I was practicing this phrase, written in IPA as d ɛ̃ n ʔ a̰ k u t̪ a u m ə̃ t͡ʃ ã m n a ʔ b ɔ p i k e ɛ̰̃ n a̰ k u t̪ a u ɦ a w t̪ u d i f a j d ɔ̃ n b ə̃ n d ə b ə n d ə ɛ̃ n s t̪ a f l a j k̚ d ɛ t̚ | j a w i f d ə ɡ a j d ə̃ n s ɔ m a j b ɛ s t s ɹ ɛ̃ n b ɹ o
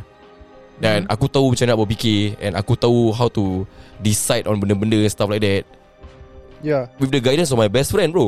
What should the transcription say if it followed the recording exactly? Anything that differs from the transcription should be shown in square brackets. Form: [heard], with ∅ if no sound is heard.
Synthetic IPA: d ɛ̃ n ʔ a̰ k u t̪ a u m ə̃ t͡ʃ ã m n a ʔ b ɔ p i k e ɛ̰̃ n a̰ k u t̪ a u ɦ a w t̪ u d i [s] a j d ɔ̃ n b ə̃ n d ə b ə n d ə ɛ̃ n s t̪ a f l a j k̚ d ɛ t̚ | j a w i f d ə ɡ a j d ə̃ n s ɔ m a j b ɛ s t [f] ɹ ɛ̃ n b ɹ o